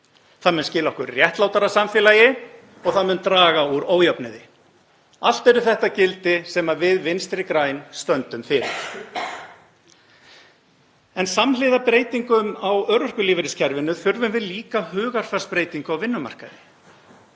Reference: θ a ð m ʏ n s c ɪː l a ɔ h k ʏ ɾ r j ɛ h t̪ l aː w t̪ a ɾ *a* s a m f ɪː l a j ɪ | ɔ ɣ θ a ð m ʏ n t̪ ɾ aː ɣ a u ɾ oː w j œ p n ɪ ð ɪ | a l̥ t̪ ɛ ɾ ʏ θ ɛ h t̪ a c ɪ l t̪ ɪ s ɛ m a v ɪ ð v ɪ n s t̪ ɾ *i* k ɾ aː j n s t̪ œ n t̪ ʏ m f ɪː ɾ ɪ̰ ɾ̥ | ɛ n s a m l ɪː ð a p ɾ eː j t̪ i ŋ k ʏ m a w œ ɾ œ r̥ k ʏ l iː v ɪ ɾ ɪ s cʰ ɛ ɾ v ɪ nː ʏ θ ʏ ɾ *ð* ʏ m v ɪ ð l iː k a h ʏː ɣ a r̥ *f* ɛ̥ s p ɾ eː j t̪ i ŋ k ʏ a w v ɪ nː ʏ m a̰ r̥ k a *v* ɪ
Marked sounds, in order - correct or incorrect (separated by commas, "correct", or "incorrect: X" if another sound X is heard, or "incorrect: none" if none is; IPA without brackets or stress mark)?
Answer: correct, incorrect: ɪ, incorrect: v, correct, incorrect: ð